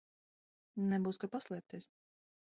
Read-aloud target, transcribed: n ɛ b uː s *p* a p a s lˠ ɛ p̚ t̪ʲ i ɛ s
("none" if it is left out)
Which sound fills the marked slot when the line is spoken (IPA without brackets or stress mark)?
k